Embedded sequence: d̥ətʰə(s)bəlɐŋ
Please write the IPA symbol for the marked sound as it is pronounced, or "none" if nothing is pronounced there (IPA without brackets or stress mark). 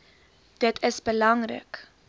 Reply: s